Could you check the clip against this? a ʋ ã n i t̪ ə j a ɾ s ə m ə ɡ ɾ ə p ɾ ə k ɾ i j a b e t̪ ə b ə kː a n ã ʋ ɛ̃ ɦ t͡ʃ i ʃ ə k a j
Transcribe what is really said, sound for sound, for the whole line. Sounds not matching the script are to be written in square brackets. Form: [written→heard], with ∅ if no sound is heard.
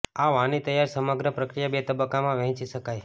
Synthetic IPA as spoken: a ʋ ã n i t̪ ə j a ɾ s ə m ə ɡ ɾ ə p ɾ ə k ɾ i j a b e t̪ ə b ə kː a [n→m] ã ʋ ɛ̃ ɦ t͡ʃ i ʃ ə k a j